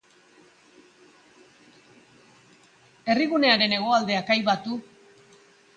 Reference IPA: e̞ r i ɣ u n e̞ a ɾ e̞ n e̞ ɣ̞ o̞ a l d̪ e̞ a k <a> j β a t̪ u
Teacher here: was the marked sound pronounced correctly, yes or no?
yes